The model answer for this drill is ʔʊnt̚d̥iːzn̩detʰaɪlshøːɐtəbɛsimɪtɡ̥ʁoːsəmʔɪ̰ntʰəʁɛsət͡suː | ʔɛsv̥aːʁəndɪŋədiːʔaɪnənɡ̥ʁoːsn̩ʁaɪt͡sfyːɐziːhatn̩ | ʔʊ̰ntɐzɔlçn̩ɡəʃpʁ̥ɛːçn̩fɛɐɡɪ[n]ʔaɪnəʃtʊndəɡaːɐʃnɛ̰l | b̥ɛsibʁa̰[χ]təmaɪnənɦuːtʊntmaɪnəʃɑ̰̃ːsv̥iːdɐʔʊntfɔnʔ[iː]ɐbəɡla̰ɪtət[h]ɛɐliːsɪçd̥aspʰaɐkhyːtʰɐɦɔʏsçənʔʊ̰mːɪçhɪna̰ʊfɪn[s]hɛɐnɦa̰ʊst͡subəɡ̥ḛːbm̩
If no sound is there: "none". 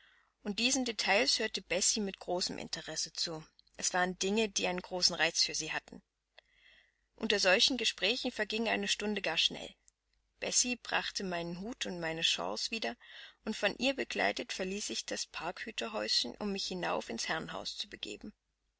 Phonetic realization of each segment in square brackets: ŋ, χ, iː, f, s

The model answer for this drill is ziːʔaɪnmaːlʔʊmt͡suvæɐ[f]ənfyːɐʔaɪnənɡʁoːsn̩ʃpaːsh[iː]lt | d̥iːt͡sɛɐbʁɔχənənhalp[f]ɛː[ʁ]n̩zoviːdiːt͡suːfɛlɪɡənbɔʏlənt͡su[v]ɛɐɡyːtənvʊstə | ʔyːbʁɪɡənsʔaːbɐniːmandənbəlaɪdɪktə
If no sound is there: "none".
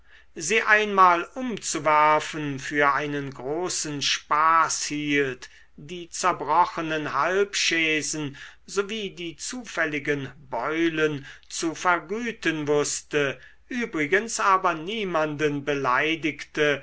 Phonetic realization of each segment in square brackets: f, iː, ʃ, z, f

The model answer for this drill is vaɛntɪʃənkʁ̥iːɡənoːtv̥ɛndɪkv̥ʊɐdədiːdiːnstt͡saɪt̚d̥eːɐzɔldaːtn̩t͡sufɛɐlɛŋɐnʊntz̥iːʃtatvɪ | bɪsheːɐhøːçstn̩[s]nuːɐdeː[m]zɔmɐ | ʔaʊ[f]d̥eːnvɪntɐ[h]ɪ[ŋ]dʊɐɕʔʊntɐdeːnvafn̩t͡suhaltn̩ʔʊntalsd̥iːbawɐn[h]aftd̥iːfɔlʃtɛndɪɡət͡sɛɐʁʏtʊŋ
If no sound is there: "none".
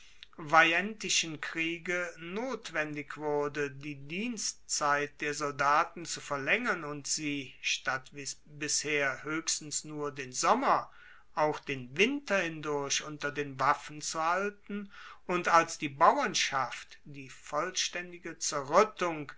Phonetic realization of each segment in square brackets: s, n, x, h, n, ʃ

